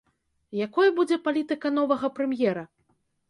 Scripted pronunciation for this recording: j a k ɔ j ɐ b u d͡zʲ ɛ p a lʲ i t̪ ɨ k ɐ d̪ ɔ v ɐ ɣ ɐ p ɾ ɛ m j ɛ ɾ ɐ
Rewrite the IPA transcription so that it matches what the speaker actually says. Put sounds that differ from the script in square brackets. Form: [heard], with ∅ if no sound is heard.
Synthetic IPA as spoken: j a k ɔ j ɐ b u d͡zʲ ɛ p a lʲ i t̪ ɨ k ɐ [n̪] ɔ v ɐ ɣ ɐ p ɾ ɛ m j ɛ ɾ ɐ